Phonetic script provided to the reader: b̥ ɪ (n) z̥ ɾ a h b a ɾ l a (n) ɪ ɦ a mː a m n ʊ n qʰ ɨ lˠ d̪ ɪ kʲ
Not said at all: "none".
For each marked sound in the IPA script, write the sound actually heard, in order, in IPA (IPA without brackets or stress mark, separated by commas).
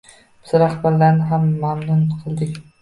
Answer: none, n